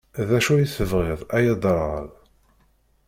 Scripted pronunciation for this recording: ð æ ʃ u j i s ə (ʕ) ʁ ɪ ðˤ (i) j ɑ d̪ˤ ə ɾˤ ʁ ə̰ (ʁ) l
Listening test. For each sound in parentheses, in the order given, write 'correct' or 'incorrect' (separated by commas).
incorrect, incorrect, incorrect